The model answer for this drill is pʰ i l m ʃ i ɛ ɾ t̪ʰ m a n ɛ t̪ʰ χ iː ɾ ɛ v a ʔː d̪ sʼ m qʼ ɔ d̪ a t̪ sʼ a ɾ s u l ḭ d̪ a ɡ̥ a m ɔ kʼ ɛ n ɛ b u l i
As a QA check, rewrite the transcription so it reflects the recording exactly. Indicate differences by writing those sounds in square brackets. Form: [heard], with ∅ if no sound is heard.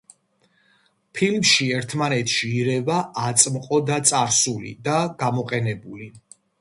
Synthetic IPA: pʰ i l m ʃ i ɛ ɾ t̪ʰ m a n ɛ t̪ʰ [ʃ] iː ɾ ɛ v a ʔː [t̪] sʼ m qʼ ɔ d̪ a t̪ sʼ a ɾ s u l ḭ d̪ a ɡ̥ a m ɔ [qʼ] ɛ n ɛ b u l i